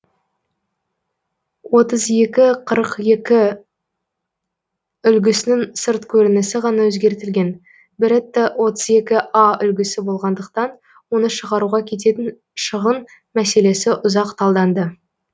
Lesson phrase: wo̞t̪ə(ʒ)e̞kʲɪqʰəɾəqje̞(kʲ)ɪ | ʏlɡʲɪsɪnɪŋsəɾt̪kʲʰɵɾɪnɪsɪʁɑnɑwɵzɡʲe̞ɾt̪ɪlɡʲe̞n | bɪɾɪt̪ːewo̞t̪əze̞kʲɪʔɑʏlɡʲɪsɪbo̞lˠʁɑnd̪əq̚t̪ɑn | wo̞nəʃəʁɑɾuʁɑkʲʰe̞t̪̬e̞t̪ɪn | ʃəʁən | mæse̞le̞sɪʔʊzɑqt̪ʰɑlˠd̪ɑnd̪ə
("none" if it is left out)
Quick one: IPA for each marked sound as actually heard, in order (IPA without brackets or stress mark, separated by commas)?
z, kʲ